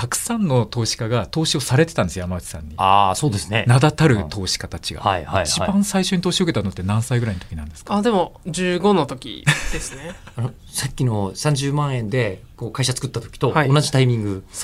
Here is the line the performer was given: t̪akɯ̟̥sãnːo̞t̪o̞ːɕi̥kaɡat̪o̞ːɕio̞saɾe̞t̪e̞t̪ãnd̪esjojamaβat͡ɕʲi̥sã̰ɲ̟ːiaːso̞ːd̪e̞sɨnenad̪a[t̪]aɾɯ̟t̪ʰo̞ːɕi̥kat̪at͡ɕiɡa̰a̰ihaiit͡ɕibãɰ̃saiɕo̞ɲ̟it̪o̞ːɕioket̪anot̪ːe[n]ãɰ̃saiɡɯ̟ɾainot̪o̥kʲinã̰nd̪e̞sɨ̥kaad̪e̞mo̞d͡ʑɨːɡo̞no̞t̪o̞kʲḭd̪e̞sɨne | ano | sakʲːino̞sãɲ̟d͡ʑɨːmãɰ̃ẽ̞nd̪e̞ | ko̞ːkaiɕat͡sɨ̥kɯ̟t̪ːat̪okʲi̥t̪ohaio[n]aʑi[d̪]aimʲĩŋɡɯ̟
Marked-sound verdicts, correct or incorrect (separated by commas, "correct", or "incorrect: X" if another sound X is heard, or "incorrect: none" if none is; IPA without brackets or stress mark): correct, correct, correct, incorrect: t̪